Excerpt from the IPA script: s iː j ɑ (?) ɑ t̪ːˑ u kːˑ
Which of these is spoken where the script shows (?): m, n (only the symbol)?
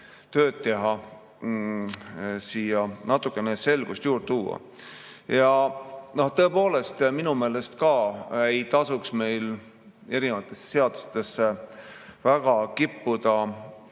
n